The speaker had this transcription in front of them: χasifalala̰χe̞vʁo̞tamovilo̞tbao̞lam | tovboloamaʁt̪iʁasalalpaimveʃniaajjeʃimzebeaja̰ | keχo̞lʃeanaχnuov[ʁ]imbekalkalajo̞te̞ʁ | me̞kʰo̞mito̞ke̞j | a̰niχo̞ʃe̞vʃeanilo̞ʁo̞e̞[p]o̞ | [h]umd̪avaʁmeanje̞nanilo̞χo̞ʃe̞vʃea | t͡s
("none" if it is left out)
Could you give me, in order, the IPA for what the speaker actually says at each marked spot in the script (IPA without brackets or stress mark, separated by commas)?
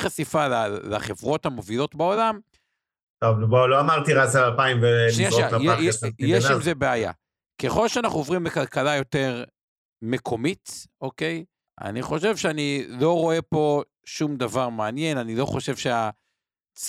ʁ, p, ʃ